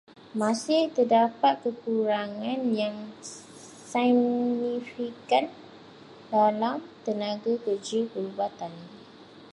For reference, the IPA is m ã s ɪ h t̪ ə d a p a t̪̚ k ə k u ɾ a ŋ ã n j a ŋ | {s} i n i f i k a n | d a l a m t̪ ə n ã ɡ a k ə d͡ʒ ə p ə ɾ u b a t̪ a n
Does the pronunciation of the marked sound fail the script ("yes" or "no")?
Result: no